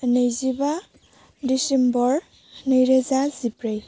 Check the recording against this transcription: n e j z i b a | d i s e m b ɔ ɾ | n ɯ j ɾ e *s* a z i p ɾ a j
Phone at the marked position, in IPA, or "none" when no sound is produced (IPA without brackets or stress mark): z